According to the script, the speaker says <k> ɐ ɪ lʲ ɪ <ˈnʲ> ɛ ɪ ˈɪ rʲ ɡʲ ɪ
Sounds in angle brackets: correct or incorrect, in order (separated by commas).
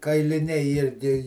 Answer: correct, correct